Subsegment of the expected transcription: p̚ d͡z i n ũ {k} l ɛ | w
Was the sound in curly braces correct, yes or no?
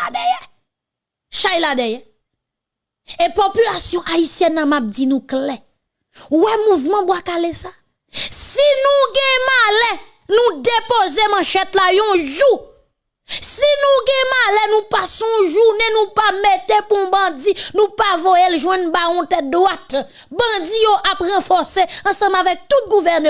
yes